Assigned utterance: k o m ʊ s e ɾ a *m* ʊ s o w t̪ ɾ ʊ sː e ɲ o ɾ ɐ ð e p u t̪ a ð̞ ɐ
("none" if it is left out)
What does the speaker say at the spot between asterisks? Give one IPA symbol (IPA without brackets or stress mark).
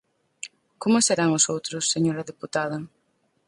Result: ŋ